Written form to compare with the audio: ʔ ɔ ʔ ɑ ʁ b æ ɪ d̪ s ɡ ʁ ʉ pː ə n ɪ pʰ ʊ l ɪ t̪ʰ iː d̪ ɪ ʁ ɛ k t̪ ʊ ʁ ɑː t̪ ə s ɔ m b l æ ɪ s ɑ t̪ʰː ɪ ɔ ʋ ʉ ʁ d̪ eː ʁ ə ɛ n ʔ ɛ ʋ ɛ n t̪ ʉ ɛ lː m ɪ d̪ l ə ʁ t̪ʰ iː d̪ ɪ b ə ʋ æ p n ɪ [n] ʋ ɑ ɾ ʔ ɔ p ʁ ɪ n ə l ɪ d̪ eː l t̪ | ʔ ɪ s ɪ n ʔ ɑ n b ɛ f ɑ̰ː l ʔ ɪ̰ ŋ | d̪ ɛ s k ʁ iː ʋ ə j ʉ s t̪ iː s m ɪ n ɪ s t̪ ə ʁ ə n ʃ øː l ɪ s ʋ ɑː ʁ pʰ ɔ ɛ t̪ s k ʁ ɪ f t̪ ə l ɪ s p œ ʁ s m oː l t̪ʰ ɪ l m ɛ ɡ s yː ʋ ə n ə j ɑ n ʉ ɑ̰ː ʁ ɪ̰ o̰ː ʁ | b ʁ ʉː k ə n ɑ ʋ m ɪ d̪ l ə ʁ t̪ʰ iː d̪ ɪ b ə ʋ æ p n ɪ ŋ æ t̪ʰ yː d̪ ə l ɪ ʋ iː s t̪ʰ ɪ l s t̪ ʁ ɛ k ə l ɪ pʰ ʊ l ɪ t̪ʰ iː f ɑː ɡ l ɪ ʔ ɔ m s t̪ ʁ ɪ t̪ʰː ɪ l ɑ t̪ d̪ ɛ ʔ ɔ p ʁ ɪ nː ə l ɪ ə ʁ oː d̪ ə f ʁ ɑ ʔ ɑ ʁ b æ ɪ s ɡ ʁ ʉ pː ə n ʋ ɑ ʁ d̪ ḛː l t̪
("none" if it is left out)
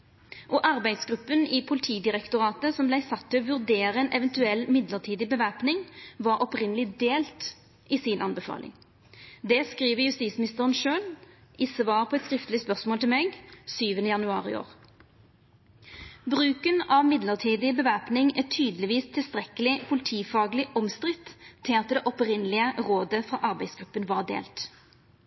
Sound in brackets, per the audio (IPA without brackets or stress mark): ŋ